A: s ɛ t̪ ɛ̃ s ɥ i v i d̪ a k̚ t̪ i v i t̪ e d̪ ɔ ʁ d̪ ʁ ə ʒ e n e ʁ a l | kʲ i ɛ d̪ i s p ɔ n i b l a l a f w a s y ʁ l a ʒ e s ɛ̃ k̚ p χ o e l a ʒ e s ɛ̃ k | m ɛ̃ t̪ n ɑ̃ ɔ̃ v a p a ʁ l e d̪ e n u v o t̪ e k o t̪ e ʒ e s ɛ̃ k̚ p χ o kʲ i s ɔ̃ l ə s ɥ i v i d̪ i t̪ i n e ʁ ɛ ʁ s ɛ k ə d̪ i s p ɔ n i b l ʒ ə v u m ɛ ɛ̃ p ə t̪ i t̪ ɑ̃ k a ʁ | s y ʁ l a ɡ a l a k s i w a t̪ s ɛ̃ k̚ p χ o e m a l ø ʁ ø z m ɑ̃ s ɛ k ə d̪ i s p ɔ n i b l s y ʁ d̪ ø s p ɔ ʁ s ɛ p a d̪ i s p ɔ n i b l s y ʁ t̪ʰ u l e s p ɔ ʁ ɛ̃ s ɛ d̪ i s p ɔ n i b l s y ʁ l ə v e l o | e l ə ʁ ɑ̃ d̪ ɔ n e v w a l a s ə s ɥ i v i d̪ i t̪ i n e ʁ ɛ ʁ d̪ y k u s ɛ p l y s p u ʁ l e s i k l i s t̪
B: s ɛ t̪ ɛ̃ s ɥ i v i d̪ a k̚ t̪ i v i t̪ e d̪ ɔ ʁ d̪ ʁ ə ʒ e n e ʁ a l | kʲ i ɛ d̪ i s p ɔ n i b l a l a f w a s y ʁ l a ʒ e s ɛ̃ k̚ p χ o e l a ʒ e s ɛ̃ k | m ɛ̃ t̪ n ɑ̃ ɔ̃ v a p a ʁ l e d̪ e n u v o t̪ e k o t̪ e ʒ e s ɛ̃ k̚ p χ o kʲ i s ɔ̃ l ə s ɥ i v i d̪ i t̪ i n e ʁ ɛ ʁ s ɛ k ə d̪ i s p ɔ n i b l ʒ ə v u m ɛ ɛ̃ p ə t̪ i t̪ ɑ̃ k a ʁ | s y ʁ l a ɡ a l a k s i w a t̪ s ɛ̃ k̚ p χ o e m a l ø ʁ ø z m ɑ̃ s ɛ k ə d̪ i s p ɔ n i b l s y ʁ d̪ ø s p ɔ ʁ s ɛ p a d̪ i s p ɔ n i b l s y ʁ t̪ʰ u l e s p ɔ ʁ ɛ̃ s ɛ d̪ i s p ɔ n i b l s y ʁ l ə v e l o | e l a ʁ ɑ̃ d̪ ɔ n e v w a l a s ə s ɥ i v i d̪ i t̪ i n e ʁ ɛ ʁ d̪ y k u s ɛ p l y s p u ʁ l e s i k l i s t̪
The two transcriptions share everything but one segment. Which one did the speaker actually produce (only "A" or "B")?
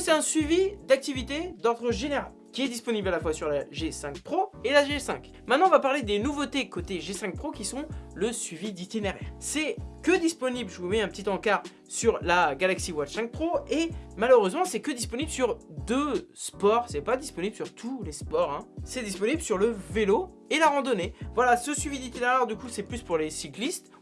B